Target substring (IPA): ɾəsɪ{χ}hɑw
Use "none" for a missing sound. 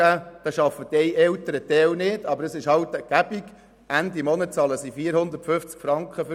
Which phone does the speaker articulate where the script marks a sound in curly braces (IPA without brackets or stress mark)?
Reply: ʃ